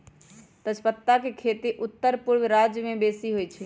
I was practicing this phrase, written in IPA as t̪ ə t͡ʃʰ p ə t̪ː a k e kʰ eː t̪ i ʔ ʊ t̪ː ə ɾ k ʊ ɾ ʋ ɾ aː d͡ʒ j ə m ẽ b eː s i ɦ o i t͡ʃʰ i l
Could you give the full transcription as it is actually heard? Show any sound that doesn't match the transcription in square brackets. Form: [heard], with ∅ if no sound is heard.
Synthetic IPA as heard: t̪ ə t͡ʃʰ p ə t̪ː a k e kʰ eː t̪ i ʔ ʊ t̪ː ə ɾ [p] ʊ ɾ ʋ ɾ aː d͡ʒ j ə m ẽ b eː s i ɦ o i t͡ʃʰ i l